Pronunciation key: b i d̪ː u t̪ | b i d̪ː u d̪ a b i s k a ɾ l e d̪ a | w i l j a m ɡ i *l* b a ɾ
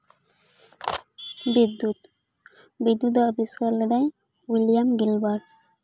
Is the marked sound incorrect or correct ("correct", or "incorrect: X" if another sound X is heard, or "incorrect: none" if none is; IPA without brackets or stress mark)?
correct